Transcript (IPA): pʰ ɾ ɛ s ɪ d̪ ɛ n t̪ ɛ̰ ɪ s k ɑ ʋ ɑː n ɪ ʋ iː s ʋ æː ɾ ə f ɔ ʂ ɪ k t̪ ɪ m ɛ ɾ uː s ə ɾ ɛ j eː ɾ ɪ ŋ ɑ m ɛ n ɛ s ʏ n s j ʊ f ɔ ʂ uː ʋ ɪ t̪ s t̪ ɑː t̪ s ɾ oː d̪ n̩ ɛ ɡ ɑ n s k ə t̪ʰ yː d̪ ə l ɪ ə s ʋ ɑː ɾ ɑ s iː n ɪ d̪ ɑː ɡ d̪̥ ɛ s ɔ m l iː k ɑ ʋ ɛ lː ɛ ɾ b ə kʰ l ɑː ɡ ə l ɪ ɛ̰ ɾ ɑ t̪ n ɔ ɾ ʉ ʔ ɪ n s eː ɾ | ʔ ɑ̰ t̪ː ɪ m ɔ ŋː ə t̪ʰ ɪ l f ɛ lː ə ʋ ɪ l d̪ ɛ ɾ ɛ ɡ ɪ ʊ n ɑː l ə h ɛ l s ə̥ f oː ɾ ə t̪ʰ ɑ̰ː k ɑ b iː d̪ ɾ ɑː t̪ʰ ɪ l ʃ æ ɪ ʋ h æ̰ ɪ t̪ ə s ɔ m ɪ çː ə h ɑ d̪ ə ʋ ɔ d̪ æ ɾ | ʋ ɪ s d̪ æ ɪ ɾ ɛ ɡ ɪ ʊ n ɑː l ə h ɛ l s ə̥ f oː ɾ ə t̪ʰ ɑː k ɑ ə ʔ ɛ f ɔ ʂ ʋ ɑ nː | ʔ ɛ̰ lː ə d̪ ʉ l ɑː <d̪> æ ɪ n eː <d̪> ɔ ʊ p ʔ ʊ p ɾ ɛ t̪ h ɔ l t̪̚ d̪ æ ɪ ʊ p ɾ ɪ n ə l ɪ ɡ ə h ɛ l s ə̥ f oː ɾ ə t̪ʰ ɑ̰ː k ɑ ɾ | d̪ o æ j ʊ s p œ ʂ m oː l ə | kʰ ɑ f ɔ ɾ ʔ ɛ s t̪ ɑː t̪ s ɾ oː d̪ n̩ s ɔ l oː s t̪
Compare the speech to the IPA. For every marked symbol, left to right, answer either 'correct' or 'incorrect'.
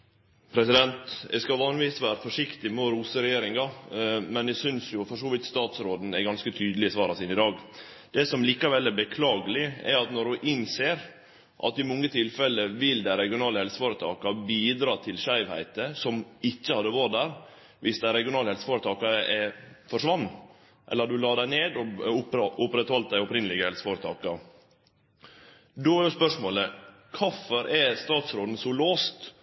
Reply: correct, correct

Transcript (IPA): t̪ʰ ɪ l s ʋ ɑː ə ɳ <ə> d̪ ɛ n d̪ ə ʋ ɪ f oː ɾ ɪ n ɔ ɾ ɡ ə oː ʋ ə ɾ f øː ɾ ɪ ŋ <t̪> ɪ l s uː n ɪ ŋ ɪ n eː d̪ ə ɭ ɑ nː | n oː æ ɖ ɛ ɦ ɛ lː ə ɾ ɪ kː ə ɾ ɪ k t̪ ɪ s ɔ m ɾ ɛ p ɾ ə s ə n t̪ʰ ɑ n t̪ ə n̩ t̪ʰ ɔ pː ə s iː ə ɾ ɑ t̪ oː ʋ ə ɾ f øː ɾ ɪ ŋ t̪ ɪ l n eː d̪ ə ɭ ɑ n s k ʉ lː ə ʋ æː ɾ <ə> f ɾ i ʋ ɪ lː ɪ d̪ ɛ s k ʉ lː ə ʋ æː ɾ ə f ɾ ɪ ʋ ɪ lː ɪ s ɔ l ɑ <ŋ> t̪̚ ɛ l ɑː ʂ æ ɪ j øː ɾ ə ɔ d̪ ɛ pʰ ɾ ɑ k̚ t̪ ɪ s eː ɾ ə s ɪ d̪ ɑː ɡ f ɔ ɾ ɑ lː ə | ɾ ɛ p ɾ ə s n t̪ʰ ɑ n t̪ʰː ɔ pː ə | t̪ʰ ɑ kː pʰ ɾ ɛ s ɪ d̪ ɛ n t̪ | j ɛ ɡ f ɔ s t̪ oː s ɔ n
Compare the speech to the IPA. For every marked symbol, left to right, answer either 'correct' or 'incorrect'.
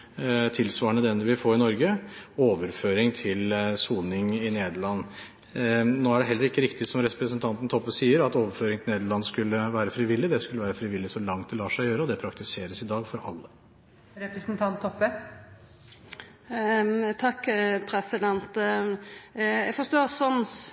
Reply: correct, incorrect: t̪ʰ, correct, correct

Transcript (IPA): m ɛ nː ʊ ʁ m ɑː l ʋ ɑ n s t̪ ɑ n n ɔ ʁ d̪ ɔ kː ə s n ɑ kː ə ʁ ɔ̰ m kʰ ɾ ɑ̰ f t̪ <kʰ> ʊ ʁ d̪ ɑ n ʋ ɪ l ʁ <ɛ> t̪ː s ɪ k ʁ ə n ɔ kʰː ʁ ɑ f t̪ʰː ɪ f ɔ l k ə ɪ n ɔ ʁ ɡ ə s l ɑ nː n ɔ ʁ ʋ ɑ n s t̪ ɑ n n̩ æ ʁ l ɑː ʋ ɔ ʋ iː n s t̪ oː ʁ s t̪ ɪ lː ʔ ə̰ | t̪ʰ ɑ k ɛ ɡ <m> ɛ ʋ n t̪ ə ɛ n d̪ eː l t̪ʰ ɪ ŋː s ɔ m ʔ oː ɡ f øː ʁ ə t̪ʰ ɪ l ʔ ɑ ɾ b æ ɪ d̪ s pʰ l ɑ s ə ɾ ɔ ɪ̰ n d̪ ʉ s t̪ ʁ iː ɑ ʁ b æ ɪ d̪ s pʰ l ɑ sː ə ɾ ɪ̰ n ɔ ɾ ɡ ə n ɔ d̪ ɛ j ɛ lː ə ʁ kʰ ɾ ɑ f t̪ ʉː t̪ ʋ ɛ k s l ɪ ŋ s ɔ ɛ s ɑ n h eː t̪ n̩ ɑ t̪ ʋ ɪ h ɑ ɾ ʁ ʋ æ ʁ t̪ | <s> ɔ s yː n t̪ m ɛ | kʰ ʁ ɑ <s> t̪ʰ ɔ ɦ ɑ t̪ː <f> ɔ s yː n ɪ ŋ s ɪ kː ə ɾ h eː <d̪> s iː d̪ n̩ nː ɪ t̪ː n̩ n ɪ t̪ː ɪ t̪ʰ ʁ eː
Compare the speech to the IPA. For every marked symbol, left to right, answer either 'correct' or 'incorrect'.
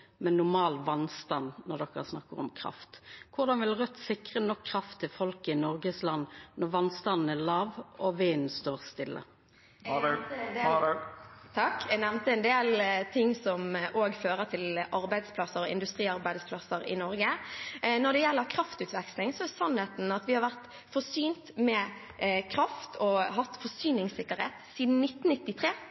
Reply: correct, incorrect: œ, incorrect: n, incorrect: f, incorrect: f, correct, incorrect: t̪

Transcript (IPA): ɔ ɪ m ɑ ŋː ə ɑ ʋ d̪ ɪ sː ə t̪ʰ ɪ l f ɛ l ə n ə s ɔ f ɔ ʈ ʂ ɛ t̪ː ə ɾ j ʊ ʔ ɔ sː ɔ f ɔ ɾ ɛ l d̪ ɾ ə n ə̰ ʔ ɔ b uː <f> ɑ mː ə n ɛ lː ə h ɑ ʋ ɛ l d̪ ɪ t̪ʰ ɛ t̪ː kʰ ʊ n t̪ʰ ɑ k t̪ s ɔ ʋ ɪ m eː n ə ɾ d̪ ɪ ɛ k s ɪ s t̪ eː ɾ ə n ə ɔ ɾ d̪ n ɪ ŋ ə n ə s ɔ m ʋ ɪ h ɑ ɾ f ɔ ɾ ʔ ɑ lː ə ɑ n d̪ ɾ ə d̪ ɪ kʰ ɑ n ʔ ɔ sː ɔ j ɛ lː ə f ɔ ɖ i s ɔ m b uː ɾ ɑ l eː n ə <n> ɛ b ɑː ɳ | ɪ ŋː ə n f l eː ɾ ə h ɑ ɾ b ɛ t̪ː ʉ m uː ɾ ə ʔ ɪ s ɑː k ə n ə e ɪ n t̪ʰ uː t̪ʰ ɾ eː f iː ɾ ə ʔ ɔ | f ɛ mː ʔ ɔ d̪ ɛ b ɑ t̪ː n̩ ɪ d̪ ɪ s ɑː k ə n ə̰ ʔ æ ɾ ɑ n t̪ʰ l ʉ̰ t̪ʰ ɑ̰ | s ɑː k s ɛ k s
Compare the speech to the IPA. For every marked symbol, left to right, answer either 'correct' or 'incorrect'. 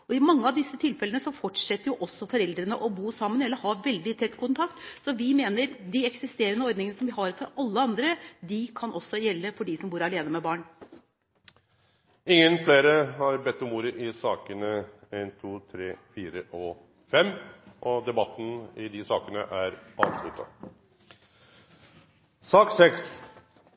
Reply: incorrect: s, incorrect: m

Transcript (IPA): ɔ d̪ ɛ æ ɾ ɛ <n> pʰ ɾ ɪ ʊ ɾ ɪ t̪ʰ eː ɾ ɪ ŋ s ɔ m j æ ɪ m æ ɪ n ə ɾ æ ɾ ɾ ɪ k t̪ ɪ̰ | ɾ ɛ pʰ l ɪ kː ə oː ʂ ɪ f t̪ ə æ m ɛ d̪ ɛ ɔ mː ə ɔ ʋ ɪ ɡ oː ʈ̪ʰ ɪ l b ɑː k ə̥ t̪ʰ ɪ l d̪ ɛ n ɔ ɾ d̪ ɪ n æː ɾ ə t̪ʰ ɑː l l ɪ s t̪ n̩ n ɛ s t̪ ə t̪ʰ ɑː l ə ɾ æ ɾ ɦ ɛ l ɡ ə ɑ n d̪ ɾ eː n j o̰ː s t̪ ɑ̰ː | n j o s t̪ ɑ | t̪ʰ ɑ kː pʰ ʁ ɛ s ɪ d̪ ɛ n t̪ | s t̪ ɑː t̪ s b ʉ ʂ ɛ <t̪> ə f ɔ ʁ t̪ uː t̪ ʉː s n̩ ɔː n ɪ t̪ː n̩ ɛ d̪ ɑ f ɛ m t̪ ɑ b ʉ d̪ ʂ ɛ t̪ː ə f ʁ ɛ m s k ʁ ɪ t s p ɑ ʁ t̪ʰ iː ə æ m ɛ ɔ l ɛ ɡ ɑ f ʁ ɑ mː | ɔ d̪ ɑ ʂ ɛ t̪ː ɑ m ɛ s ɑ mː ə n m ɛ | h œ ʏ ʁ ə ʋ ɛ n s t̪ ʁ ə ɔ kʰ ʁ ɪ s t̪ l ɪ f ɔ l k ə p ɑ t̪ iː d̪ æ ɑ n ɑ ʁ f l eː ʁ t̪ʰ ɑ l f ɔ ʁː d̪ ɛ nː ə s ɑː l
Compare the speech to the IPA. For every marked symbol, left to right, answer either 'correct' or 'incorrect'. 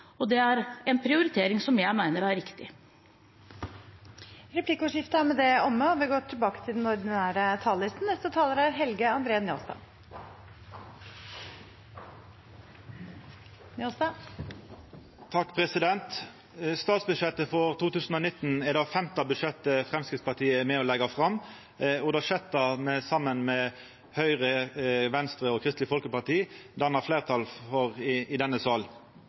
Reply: correct, correct

